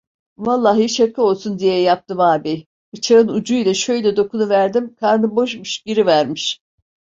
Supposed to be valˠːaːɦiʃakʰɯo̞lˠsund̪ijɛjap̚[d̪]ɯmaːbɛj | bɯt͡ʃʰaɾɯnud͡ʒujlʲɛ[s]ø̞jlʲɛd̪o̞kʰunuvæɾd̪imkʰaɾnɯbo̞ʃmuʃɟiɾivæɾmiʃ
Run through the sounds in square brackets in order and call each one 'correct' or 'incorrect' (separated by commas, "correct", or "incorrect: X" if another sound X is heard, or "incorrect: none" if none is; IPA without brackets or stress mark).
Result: incorrect: t̪, incorrect: ʃ